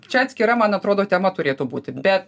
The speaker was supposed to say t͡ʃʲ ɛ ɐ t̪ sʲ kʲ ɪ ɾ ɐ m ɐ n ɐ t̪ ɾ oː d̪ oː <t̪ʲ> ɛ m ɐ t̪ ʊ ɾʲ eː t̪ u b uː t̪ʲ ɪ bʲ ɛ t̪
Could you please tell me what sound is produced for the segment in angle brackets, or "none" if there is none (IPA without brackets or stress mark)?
t̪ʲ